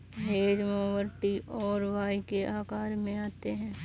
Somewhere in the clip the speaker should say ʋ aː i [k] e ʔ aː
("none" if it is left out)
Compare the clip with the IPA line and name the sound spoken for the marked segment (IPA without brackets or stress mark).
k